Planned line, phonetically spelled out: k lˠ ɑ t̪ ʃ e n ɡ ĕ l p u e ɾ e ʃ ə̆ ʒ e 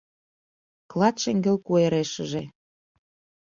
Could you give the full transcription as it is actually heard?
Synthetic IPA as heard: k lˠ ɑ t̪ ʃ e ŋ ɡ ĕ l k u e ɾ e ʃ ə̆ ʒ e